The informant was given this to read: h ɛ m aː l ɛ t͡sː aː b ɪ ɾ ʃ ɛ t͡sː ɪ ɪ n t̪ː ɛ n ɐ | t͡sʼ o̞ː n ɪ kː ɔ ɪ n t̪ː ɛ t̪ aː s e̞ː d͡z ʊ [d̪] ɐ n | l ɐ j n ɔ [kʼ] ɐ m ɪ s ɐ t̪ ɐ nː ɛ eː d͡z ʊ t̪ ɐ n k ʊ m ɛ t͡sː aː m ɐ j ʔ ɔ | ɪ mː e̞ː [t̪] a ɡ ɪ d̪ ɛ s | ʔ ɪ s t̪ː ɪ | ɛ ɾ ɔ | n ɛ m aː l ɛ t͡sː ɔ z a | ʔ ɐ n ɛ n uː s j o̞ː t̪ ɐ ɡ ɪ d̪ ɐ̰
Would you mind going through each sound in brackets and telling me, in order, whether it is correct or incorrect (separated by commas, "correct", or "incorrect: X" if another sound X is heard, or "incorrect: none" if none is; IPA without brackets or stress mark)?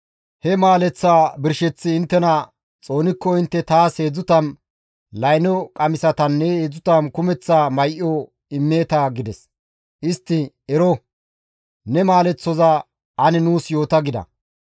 incorrect: t̪, correct, correct